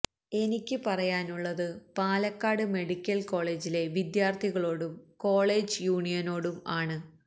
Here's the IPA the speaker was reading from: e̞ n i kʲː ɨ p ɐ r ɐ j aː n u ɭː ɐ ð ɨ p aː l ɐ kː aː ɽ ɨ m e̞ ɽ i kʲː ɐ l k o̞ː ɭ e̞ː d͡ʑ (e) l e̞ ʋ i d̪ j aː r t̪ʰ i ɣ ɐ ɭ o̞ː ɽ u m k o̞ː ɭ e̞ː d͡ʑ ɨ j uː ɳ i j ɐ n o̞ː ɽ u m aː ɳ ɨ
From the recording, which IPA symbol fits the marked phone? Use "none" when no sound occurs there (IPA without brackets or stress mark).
i